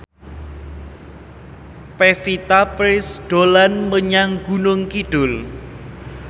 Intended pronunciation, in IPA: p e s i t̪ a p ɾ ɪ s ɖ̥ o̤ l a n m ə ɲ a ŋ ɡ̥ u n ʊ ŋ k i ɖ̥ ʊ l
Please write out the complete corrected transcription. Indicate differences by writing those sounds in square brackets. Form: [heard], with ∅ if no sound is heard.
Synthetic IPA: p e [f] i t̪ a p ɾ ɪ s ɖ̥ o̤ l a n m ə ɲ a ŋ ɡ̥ u n ʊ ŋ k i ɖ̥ ʊ l